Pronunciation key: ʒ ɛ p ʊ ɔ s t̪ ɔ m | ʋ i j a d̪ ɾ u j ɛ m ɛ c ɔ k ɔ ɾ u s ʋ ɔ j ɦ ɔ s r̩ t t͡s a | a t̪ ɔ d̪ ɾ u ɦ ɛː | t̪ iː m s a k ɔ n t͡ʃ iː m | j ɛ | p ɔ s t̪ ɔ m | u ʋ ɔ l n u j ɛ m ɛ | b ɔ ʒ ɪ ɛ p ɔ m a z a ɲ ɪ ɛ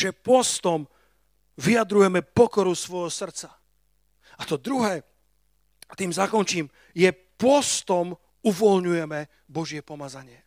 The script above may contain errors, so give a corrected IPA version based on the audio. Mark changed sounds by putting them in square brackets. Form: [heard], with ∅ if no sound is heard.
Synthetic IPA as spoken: ʒ ɛ p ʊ ɔ s t̪ ɔ m | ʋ i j a d̪ ɾ u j ɛ m ɛ [p] ɔ k ɔ ɾ u s ʋ ɔ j ɦ ɔ s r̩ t t͡s a | a t̪ ɔ d̪ ɾ u ɦ ɛː | t̪ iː m [z] a k ɔ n t͡ʃ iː m | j ɛ | p ɔ s t̪ ɔ m | u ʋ ɔ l [ɲ] u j ɛ m ɛ | b ɔ ʒ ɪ ɛ p ɔ m a z a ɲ ɪ ɛ